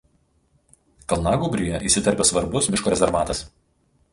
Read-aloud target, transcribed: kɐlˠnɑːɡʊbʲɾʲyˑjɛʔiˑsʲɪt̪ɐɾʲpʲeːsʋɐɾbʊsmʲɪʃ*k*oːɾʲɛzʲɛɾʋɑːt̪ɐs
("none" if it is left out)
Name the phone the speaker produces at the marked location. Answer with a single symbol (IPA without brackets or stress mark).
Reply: k